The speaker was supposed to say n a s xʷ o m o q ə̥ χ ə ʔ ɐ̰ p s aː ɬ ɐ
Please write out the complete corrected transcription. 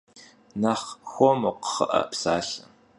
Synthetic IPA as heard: n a χ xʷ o m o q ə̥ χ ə ʔ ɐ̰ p s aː ɬ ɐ